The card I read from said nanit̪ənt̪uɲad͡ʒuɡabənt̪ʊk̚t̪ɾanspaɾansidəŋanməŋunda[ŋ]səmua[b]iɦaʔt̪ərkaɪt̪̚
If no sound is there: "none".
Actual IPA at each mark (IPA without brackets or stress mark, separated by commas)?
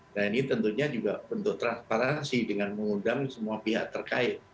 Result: ŋ, p